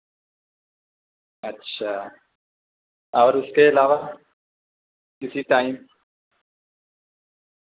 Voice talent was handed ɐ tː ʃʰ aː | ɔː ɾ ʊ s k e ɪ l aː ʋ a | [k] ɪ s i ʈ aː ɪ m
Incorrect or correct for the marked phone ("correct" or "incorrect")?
correct